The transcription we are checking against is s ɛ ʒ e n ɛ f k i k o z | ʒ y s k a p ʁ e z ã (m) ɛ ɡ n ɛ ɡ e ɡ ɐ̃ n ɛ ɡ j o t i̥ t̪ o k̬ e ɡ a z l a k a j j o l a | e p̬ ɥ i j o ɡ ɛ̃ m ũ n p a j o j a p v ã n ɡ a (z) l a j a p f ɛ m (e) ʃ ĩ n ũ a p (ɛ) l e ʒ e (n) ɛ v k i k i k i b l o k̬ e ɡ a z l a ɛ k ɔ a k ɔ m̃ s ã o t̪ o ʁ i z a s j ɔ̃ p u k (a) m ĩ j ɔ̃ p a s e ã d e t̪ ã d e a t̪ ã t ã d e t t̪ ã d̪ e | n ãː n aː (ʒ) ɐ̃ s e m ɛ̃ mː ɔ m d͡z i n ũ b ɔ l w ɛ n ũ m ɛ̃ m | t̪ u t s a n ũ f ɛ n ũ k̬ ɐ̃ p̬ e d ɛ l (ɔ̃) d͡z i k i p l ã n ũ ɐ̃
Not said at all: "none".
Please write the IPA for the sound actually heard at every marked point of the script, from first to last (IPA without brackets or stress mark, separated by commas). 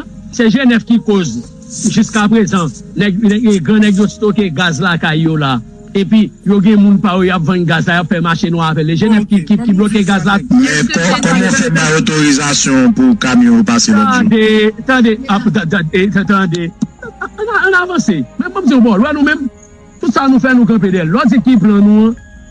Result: n, z, a, ɛ, n, a, v, ɔ